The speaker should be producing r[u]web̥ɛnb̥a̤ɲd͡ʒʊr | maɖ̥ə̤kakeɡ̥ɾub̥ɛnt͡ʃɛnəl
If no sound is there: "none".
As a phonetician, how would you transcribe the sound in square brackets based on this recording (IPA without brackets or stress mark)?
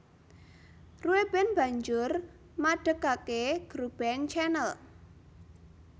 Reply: u